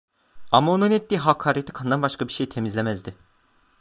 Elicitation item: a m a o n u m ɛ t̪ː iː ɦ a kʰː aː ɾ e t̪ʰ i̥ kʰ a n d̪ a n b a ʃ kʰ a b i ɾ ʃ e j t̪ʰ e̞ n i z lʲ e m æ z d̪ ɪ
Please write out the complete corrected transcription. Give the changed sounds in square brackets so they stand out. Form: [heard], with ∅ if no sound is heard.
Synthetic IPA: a m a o n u [n] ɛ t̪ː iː ɦ a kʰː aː ɾ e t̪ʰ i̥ kʰ a n d̪ a n b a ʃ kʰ a b i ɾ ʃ e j t̪ʰ e̞ [m] i z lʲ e m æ z d̪ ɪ

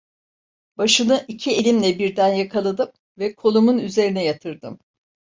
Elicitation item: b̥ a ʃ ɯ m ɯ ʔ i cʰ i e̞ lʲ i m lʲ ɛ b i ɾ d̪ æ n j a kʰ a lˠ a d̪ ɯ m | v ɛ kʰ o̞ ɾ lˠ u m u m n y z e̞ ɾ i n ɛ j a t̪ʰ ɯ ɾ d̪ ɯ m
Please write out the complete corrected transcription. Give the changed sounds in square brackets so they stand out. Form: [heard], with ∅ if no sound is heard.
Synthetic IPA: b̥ a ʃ ɯ [n] ɯ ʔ i cʰ i e̞ lʲ i m lʲ ɛ b i ɾ d̪ æ n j a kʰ a lˠ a d̪ ɯ m | v ɛ kʰ o̞ [∅] lˠ u m u [∅] n y z e̞ ɾ i n ɛ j a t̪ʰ ɯ ɾ d̪ ɯ m

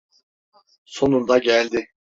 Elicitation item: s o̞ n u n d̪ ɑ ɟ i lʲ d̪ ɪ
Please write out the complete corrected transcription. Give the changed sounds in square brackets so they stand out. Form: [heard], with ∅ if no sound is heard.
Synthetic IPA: s o̞ n u n d̪ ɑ ɟ [æ] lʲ d̪ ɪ

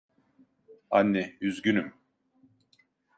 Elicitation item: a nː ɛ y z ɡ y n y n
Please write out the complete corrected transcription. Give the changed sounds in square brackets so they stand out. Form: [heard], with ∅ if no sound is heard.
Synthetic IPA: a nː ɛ y z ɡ y n y [m]

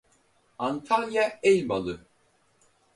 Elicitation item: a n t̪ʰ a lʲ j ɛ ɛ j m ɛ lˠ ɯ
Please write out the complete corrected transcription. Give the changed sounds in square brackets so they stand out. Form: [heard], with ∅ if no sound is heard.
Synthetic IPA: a n t̪ʰ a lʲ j [a] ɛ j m [a] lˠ ɯ

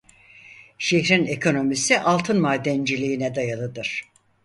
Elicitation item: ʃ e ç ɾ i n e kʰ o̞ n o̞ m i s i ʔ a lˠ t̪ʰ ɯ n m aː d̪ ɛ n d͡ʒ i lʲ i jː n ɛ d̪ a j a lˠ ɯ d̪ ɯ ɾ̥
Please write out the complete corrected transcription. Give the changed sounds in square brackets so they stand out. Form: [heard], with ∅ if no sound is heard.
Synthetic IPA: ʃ e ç ɾ i n e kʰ o̞ n o̞ m i s i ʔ a lˠ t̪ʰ ɯ n m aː d̪ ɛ n d͡ʒ i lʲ i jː n ɛ d̪ a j a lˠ ɯ d̪ ɯ ɾ̥

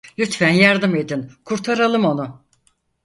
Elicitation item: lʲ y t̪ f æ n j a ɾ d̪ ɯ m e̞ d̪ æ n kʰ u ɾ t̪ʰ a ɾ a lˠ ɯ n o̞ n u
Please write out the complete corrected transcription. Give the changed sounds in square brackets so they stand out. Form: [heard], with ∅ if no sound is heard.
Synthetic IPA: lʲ y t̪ f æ n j a ɾ d̪ ɯ m e̞ d̪ [i] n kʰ u ɾ t̪ʰ a ɾ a lˠ ɯ [m] o̞ n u

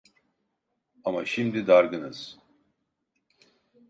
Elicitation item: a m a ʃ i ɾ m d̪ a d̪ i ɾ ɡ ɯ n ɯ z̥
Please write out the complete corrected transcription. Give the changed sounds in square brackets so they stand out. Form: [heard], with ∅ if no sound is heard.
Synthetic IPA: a m a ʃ i [∅] m d̪ [i] d̪ [a] ɾ ɡ ɯ n ɯ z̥

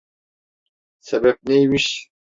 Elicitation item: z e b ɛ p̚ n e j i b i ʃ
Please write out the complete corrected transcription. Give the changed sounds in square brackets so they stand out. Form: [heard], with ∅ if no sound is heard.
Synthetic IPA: [s] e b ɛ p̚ n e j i [m] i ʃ

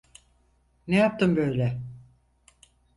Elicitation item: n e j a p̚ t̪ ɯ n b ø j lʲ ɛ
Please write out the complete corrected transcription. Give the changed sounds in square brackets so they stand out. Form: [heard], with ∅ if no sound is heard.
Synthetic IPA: n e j a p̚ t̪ ɯ [m] b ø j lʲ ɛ

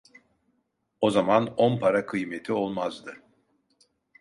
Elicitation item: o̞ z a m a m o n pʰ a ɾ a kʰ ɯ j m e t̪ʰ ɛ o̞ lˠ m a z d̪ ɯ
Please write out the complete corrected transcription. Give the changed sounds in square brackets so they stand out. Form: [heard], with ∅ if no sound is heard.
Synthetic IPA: o̞ z a m a [n] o n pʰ a ɾ a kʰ ɯ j m e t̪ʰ [i] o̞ lˠ m a z d̪ ɯ

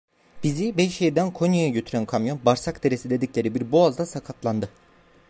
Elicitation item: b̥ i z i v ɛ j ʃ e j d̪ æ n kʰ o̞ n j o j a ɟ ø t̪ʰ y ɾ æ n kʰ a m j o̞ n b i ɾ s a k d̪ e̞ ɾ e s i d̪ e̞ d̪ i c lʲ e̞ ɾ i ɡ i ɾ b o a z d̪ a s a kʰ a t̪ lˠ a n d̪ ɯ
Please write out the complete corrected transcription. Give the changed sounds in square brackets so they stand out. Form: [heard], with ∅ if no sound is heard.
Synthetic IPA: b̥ i z i [b] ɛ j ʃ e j d̪ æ n kʰ o̞ n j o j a ɟ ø t̪ʰ y ɾ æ n kʰ a m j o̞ n b [a] ɾ s a k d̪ e̞ ɾ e s i d̪ e̞ d̪ i c lʲ e̞ ɾ i [b] i ɾ b o a z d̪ a s a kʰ a t̪ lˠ a n d̪ ɯ

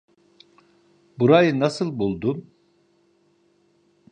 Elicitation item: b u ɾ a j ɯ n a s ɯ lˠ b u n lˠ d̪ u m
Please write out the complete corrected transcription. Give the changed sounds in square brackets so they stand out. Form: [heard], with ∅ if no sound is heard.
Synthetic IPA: b u ɾ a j ɯ n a s ɯ lˠ b u [∅] lˠ d̪ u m

